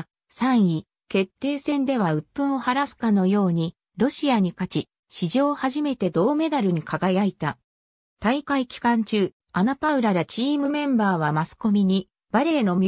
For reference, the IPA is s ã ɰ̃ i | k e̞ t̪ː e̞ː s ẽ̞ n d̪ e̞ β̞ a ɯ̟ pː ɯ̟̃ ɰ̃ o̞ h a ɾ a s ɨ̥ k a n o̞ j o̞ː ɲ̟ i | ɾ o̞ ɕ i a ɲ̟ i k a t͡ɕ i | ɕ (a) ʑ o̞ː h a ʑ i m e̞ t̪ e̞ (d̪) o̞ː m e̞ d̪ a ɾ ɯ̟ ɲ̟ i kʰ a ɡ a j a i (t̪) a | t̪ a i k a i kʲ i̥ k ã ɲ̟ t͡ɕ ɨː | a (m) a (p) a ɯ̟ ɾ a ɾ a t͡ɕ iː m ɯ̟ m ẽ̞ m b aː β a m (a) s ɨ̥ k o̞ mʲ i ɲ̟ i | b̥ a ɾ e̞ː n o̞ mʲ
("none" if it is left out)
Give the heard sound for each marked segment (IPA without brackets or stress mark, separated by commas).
i, d̪, t̪, n, p, a